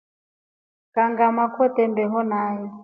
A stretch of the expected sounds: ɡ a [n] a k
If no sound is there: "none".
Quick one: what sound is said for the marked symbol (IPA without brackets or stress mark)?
m